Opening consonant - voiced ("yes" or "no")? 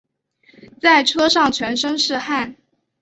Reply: no